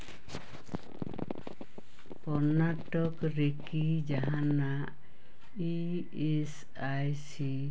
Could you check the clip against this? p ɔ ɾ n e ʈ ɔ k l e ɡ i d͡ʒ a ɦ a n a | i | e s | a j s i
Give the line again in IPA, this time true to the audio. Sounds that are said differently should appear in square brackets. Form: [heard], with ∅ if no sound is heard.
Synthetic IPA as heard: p ɔ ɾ n [a] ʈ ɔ k [ɾ] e [k] i d͡ʒ a ɦ a n a | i | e s | a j s i